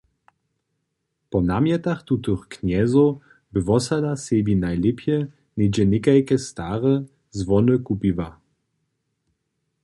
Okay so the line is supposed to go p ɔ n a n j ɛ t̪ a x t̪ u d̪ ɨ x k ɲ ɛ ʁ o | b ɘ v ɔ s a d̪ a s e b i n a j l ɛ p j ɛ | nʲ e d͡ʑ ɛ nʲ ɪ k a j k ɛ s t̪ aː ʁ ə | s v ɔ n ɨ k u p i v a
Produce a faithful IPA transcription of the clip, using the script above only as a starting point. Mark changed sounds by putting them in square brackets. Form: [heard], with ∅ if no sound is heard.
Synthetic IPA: p ɔ n a [m] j ɛ t̪ a x t̪ u [t̪] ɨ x k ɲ ɛ [z] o | b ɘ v ɔ s a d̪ a s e b i n a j l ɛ p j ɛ | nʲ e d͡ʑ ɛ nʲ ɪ k a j k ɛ s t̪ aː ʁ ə | [z] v ɔ n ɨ k u p i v a